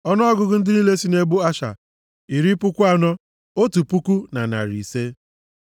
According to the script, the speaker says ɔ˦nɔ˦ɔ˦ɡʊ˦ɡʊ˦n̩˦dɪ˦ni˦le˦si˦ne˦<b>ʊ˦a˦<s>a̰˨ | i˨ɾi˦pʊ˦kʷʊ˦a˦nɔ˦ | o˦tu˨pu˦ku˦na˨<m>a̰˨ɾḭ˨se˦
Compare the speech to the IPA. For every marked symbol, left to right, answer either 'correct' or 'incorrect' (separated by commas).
correct, incorrect, incorrect